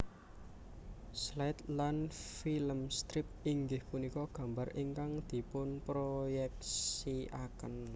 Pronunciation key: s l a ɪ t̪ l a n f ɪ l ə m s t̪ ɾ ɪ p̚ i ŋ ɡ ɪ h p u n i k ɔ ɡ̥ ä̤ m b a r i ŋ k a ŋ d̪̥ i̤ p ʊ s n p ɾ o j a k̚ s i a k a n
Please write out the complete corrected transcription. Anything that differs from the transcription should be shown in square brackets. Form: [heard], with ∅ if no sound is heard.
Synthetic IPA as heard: s l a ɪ t̪ l a n f [i] l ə m s t̪ ɾ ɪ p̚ i ŋ ɡ ɪ h p u n i k ɔ ɡ̥ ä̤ m b a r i ŋ k a ŋ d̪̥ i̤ p ʊ [∅] n p ɾ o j [ɛ] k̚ s i a k [ə] n